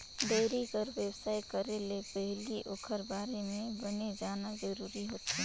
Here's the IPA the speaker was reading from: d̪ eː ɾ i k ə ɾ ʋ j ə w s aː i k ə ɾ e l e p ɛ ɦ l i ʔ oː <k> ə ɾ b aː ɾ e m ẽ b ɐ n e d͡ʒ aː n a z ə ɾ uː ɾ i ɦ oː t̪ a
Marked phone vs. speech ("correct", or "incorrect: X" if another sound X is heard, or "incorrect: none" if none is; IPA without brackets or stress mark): incorrect: kʰ